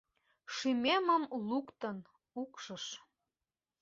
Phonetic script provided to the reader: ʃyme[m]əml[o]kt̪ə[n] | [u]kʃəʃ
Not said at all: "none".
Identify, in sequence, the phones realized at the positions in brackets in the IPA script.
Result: m, u, n, u

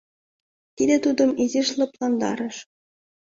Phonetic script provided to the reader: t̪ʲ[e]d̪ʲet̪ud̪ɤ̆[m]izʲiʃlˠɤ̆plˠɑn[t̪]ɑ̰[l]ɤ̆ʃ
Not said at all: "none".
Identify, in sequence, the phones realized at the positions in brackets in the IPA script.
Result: i, m, d̪, ɾ

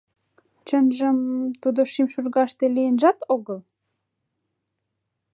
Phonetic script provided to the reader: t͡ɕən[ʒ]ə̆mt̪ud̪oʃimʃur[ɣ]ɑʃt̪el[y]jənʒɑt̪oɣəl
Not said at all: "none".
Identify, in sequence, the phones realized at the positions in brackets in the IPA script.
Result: ʒ, ɣ, i

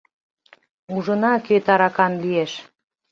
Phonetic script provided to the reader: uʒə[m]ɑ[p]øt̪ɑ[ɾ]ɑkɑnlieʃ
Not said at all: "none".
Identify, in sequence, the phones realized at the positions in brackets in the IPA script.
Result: n, k, ɾ

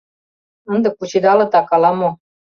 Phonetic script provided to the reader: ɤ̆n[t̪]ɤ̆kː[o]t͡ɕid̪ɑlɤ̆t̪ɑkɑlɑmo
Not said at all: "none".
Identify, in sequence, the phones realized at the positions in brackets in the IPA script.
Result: d̪, u

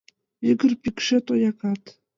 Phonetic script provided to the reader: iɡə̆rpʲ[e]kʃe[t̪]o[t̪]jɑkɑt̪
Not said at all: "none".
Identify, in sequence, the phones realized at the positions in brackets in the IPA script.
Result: i, t̪, none

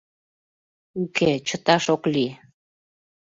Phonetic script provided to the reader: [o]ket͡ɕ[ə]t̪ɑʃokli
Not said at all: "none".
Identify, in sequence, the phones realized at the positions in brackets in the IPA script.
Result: u, ə

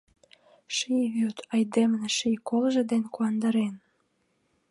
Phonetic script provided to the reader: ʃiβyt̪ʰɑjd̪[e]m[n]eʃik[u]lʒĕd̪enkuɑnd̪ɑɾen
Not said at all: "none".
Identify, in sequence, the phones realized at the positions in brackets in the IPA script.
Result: e, n, o

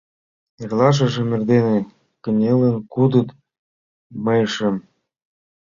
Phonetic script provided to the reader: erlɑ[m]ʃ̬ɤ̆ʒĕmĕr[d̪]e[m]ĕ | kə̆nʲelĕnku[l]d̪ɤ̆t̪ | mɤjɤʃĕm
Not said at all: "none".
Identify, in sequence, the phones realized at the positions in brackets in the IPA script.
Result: none, d̪, n, none

